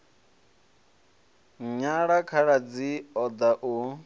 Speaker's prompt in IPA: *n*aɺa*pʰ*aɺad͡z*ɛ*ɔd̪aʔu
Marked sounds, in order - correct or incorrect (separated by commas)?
incorrect, incorrect, incorrect